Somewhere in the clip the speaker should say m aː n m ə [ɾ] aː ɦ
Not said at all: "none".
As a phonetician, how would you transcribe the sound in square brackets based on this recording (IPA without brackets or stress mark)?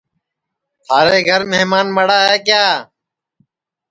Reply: ɽ